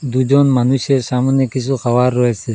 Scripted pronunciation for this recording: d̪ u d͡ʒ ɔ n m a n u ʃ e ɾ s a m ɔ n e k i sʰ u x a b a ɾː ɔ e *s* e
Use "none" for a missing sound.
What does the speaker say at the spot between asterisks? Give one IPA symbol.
s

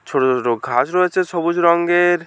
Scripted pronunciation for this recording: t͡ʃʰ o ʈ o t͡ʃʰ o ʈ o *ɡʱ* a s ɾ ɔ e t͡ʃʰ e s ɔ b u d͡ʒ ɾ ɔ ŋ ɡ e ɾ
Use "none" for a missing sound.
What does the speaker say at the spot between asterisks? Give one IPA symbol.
ɡʱ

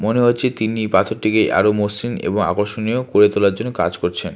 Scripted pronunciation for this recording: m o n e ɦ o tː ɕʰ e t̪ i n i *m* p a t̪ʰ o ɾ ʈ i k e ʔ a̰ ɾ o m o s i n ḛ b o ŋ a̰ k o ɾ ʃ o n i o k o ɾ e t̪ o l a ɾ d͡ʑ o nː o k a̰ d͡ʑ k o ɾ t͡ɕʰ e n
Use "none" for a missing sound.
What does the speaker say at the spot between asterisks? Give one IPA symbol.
none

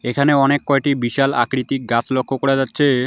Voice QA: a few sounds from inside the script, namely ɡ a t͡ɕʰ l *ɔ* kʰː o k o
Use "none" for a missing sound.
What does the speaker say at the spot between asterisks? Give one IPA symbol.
o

